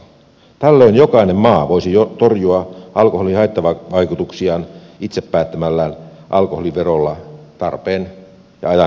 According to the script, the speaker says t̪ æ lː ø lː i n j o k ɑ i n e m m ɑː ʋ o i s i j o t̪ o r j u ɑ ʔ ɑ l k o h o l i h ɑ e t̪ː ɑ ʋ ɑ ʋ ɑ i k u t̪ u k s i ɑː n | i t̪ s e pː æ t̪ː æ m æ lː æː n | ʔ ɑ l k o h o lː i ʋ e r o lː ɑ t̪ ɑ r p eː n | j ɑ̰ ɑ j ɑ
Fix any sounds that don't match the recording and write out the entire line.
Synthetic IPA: t̪ æ lː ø i n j o k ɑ i n e m m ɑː ʋ o i s i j o t̪ o r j u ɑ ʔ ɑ l k o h o l i h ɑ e t̪ː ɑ ʋ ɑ ʋ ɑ i k u t̪ u k s i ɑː n | i t̪ s e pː æː t̪ː æ m æ lː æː n | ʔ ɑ l k o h o l i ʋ e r o lː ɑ t̪ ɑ r p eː n | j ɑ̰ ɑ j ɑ

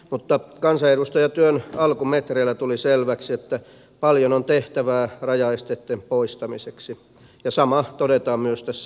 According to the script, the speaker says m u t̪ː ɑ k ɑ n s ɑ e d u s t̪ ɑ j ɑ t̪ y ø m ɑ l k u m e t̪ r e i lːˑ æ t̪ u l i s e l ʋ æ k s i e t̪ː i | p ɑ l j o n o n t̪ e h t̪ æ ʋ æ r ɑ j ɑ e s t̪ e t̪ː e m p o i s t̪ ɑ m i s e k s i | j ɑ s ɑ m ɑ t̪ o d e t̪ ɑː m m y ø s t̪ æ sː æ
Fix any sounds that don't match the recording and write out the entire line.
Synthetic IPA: m u t̪ː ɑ k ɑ n s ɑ e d u s t̪ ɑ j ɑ t̪ y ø n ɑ l k u m e t̪ r e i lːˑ æ t̪ u l i s e l ʋ æ k s i e t̪ː æ | p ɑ l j o n o n t̪ e h t̪ æ ʋ æː r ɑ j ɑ e s t̪ e t̪ː e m p o i s t̪ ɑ m i s e k s i | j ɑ s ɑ m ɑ t̪ o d e t̪ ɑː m m y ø s t̪ æ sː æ

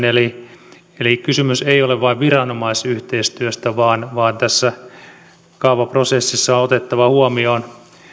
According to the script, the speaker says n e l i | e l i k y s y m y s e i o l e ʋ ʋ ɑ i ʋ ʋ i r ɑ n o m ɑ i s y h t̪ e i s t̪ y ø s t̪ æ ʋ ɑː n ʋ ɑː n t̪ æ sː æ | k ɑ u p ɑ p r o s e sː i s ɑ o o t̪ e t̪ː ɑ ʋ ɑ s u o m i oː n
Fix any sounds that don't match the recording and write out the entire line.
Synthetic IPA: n e l i | e l i k y s y m y s e i o l e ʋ ʋ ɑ i ʋ ʋ i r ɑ n o m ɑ i s y h t̪ e i s t̪ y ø s t̪ æ ʋ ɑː n ʋ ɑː n t̪ æ sː æ | k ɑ u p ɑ p r o s e sː i sː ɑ o o t̪ e t̪ː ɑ ʋ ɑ h u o m i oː n

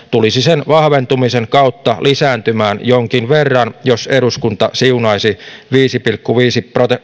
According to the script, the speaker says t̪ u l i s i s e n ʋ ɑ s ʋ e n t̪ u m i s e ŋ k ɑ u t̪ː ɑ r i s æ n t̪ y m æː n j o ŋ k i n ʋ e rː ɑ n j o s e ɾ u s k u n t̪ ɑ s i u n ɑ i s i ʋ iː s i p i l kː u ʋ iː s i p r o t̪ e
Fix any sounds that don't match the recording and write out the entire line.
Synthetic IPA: t̪ u l i s i s e n ʋ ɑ h ʋ e n t̪ u m i s e ŋ k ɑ u t̪ː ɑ l i s æː n t̪ y m æː n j o ŋ k i n ʋ e rː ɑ n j o s e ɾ u s k u n t̪ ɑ s i u n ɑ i s i ʋ iː s i p i l kː u ʋ iː s i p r o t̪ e

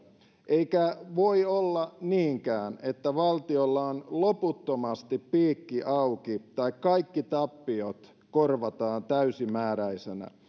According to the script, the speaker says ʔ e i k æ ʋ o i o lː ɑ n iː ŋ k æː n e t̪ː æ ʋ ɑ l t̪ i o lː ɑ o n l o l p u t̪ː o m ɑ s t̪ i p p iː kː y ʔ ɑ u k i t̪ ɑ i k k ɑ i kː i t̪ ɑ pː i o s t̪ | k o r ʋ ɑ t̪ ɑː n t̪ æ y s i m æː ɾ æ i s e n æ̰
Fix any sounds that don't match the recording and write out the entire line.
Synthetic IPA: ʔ e i k æ ʋ o i o lː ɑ n iː ŋ k æː n e t̪ː æ ʋ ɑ l t̪ i o lː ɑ o n l o p u t̪ː o m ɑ s t̪ i p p iː kː i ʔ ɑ u k i t̪ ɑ i k k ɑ i kː i t̪ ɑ pː i o t̪ | k o r ʋ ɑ t̪ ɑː n t̪ æ y s i m æː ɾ æ i s e n æ̰

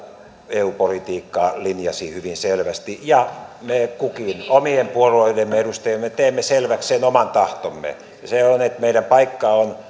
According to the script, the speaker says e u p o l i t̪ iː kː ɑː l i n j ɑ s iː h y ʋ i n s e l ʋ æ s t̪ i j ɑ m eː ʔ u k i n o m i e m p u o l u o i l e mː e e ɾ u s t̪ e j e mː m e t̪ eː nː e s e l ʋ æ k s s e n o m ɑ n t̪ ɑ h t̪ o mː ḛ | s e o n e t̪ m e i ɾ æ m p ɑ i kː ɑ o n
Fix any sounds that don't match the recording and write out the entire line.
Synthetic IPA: e u p o l i t̪ iː kː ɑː l i n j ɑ s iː h y ʋ i n s e l ʋ æ s t̪ i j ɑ m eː k u k i n o m i e m p u o l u o i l e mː e e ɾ u s t̪ e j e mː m e t̪ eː mː e s e l ʋ æ k s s e n o m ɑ n t̪ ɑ h t̪ o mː ḛ | s e o n e t̪ m e i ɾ æ m p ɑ i kː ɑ o n

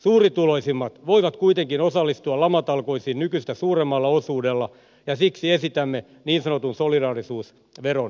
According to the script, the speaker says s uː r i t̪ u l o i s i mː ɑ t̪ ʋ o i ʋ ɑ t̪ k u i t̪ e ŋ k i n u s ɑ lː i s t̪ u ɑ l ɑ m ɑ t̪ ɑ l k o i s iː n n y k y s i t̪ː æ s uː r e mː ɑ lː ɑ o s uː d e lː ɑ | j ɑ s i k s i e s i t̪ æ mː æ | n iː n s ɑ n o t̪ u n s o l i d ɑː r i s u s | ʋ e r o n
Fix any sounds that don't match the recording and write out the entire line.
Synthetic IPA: s uː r i t̪ u l o i s i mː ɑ t̪ ʋ o i ʋ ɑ t̪ k u i t̪ e ŋ k i n o s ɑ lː i s t̪ u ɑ l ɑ m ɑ t̪ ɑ l k o i s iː n n y k y s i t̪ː æ s uː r e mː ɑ lː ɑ o s uː d e lː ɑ | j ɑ s i k s i e s i t̪ æ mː e | n iː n s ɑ n o t̪ u n s o l i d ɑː r i s uː s | ʋ e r o n

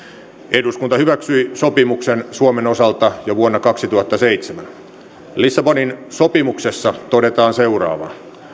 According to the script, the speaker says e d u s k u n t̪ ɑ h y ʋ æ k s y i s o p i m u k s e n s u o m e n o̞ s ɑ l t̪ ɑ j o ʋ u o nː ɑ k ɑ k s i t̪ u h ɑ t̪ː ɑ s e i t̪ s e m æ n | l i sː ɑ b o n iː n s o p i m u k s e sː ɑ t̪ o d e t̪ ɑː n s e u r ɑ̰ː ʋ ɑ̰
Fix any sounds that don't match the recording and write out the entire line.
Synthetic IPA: e d u s k u n t̪ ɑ h y ʋ æ k s y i s o p i m u k s e n s u o m e n o̞ s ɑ l t̪ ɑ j o ʋ u o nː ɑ k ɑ k s i t̪ u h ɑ t̪ː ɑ s e i t̪ s e m æ n | l i sː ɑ b o n i n s o p i m u k s e sː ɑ t̪ o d e t̪ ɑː n s e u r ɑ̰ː ʋ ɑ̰

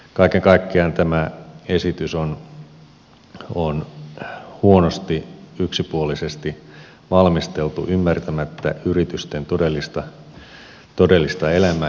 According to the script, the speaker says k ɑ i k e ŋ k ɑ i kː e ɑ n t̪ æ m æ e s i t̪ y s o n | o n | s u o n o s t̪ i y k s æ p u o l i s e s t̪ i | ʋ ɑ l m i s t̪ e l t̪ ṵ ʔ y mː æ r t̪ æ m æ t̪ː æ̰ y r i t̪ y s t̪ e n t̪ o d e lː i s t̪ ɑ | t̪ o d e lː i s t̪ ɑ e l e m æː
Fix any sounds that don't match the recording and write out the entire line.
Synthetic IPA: k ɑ i k e ŋ k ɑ i kː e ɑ n t̪ æ m æ e s i t̪ y s o n | o n | h u o n o s t̪ i y k s i p u o l i s e s t̪ i | ʋ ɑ l m i s t̪ e l t̪ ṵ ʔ y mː æ r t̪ æ m æ t̪ː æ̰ y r i t̪ y s t̪ e n t̪ o d e lː i s t̪ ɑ | t̪ o d e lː i s t̪ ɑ e l æ m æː

